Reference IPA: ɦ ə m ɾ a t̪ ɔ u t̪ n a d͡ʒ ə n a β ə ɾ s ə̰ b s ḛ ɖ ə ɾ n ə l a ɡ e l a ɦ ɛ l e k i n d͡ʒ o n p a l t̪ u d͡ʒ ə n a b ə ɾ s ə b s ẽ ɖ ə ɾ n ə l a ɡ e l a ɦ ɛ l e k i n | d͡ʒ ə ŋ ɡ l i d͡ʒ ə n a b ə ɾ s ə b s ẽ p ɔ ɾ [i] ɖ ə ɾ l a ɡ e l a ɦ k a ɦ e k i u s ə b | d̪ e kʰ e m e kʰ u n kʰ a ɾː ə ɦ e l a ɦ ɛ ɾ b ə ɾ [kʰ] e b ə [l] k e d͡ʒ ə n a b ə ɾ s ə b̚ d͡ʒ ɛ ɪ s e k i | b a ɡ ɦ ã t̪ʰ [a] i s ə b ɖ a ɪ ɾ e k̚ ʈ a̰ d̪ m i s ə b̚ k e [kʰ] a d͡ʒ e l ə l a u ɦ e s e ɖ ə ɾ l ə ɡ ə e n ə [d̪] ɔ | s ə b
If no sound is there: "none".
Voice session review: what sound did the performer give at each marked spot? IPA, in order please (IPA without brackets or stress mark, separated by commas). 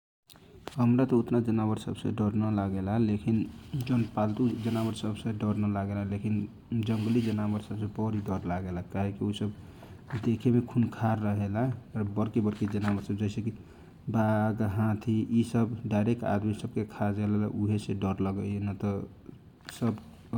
i, k, ɾ, i, kʰ, t̪